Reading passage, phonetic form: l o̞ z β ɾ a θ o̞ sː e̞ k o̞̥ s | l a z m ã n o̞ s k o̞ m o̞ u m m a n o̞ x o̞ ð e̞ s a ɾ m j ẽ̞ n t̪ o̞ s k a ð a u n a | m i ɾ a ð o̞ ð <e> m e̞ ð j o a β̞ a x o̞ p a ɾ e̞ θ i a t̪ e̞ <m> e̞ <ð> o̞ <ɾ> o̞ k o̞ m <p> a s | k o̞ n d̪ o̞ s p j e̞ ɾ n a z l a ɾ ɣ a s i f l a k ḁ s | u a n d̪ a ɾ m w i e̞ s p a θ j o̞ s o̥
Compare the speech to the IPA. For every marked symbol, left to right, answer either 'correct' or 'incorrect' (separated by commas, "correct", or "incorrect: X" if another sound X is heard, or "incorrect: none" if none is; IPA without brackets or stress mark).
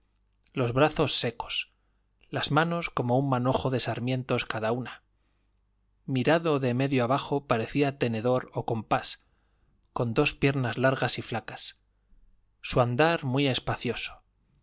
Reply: correct, incorrect: n, correct, correct, correct